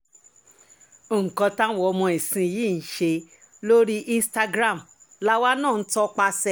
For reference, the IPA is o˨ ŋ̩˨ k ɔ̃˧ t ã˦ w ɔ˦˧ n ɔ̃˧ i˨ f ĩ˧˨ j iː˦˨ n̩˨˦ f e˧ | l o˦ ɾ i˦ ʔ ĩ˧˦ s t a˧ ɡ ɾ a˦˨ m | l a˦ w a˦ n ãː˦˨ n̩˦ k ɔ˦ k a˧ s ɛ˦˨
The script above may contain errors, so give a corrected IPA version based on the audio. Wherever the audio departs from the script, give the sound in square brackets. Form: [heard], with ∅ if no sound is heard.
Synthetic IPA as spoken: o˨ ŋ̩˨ k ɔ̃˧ t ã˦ w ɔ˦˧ [m] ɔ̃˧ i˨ [s] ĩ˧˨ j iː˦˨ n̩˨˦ [ʃ] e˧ | l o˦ ɾ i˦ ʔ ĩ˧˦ s t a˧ ɡ ɾ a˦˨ m | l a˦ w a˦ n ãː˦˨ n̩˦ [t] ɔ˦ [k͡p] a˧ s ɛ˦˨